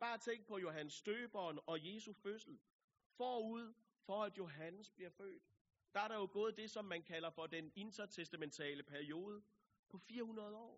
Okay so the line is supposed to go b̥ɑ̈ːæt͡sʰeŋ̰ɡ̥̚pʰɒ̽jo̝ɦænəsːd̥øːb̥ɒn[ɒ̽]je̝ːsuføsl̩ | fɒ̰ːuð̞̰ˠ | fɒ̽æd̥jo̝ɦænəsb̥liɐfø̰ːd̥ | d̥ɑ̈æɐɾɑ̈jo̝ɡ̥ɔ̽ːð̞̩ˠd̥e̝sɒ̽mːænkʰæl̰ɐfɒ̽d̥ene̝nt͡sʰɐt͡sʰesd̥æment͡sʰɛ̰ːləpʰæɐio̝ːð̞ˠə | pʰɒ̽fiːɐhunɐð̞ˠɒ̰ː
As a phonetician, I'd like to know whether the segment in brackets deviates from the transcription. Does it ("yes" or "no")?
no